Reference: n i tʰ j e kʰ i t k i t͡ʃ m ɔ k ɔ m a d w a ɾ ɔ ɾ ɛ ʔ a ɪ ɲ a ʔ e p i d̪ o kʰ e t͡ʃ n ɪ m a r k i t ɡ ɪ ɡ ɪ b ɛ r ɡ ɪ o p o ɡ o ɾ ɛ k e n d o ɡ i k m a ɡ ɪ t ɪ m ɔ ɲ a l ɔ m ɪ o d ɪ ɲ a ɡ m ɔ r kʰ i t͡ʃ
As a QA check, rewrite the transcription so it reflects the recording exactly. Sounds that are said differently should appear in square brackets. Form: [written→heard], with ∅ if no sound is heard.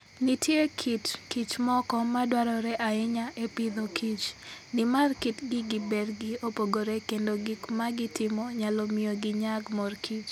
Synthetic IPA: n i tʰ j e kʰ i t k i t͡ʃ m ɔ k ɔ m a d w a ɾ ɔ ɾ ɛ ʔ a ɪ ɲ a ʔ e p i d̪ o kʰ [e→i] t͡ʃ n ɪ m a r k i t ɡ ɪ ɡ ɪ b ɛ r ɡ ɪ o p o ɡ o ɾ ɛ k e n d o ɡ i k m a ɡ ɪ t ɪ m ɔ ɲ a l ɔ m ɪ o [d→ɡ] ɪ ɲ a ɡ m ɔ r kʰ i t͡ʃ